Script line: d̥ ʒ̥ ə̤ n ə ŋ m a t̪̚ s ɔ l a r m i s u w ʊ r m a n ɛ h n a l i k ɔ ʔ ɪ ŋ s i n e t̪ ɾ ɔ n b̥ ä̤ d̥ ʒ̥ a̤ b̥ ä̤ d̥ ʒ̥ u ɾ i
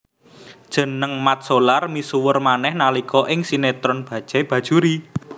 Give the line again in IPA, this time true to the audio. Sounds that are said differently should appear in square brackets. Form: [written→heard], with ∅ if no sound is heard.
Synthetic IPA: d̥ ʒ̥ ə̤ n ə ŋ m a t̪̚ s [ɔ→o] l a r m i s u w ʊ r m a n ɛ h n a l i k ɔ ʔ ɪ ŋ s i n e t̪ ɾ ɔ n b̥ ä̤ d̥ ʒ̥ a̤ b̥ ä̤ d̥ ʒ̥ u ɾ i